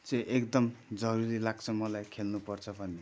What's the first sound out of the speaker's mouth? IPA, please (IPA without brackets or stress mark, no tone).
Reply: t͡s